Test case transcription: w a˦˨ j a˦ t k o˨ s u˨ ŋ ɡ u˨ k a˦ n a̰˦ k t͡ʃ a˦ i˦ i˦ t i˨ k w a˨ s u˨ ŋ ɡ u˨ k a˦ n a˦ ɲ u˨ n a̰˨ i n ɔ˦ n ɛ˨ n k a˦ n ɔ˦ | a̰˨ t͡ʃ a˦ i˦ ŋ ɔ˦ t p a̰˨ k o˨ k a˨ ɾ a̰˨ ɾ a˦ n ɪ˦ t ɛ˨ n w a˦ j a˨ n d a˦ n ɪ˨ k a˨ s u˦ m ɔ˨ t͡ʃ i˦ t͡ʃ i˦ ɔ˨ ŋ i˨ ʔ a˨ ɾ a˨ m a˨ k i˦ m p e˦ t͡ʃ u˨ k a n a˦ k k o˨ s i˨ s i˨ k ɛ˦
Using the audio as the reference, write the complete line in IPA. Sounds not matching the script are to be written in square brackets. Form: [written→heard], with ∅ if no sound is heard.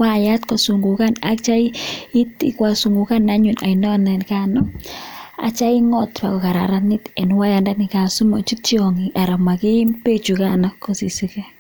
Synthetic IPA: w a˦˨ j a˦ t k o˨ s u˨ ŋ ɡ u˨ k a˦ n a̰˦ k t͡ʃ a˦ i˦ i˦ t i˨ k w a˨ s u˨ ŋ ɡ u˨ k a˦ n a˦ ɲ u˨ n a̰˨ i n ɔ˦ n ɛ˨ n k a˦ n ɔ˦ | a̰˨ t͡ʃ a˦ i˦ ŋ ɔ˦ t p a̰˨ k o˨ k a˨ ɾ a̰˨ ɾ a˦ n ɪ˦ t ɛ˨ n w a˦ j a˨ n d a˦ n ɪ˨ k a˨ s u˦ m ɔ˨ t͡ʃ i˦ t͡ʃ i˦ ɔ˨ ŋ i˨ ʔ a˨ ɾ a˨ m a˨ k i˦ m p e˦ t͡ʃ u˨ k a n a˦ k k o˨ s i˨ s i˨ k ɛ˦